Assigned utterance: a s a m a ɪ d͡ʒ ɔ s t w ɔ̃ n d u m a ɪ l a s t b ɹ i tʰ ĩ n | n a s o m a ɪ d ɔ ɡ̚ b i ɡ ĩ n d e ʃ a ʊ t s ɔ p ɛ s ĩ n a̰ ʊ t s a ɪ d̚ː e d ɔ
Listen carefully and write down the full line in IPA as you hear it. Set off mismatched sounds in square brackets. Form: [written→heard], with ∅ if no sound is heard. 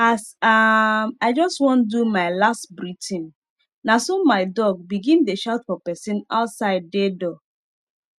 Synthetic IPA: a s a m a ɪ d͡ʒ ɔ s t w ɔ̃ n d u m a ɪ l a s t b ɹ i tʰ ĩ n | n a s o m a ɪ d ɔ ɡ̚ b i ɡ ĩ n d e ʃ a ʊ t [s→f] ɔ p ɛ s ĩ n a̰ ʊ t s a ɪ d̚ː e d ɔ